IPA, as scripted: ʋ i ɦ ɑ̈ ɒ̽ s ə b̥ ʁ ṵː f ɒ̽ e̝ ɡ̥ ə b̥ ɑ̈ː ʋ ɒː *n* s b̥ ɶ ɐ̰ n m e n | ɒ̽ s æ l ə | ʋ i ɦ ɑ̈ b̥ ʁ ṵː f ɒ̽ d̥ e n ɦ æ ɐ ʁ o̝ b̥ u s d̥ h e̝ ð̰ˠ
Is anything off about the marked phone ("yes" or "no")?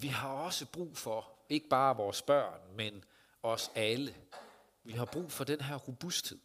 yes